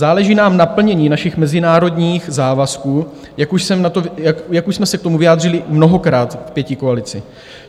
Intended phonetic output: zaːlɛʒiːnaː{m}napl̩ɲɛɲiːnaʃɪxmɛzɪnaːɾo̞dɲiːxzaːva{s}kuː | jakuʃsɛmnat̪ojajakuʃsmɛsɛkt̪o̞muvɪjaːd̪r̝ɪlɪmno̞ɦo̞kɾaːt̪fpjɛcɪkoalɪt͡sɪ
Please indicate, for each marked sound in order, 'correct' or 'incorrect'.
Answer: correct, correct

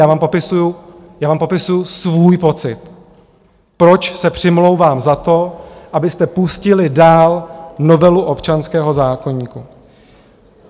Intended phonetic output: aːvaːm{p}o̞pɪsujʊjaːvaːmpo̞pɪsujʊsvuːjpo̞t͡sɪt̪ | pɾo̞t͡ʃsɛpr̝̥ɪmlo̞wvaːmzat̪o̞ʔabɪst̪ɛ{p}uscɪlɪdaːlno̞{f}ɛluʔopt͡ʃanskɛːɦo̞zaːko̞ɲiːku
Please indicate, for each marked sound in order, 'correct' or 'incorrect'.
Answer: correct, correct, incorrect: v

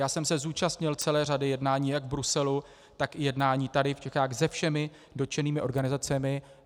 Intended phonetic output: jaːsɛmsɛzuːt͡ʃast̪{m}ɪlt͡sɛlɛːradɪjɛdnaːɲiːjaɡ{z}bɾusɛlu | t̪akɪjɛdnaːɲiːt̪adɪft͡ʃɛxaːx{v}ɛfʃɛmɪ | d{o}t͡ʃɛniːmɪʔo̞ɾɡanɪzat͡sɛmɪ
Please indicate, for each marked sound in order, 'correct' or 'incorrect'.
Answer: incorrect: ɲ, incorrect: v, incorrect: z, correct

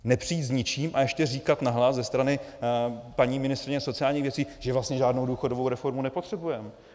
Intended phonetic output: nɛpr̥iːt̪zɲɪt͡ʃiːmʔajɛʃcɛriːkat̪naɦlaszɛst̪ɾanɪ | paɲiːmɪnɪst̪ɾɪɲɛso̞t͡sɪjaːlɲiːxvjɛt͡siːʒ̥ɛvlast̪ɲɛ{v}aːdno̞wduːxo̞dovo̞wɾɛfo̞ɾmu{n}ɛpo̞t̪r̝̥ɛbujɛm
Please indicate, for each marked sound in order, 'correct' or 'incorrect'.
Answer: incorrect: ʒ, correct

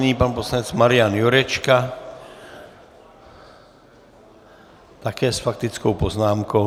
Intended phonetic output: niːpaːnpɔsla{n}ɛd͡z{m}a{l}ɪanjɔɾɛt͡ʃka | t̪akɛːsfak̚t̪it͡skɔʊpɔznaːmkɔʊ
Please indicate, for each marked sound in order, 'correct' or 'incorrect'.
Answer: incorrect: ɲ, correct, incorrect: ɾ

